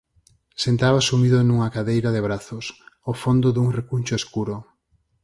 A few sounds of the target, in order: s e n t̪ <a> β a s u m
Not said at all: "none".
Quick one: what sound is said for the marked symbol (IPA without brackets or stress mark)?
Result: a